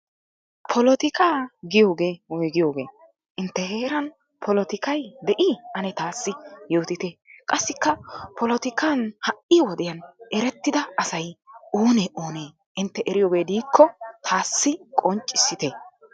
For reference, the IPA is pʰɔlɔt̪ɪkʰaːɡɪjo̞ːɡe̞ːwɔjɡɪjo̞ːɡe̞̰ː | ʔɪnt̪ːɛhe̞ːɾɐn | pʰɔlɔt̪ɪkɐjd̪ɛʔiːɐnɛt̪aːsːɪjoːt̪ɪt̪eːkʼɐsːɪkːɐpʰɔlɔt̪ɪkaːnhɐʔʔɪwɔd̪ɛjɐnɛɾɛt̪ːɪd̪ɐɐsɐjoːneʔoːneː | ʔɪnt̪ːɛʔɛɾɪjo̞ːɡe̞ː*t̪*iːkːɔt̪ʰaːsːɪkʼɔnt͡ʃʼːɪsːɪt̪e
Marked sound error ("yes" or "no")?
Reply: yes